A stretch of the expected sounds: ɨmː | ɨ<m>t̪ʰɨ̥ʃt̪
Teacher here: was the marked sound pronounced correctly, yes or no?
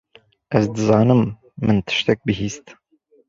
no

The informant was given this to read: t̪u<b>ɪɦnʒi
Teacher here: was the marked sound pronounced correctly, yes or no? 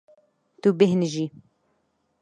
yes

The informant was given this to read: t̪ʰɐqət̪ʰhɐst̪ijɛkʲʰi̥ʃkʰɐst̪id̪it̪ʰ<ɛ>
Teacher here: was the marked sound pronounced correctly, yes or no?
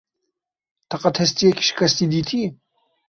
no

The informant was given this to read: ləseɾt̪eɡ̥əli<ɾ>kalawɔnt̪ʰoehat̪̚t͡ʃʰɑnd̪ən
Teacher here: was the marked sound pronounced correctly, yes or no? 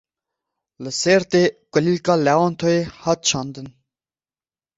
no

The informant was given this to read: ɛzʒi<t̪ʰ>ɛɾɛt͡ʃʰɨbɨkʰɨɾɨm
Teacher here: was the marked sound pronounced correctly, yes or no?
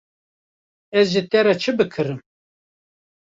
no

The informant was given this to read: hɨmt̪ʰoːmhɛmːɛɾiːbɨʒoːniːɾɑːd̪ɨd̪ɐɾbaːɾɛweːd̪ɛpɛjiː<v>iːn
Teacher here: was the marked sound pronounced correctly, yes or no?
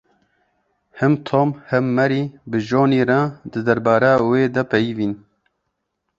yes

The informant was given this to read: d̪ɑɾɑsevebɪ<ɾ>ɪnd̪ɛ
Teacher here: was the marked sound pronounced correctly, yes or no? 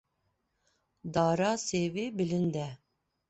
no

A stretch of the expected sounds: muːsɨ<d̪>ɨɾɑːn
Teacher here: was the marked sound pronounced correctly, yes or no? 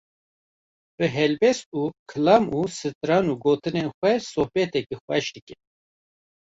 no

